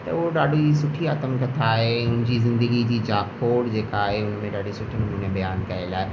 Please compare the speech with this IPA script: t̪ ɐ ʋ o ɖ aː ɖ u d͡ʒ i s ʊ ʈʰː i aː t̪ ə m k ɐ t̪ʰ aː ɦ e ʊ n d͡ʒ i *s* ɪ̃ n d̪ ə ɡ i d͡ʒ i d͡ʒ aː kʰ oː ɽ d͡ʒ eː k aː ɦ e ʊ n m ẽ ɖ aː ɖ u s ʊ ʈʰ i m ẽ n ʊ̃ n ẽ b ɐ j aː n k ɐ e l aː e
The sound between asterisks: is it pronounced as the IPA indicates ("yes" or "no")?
no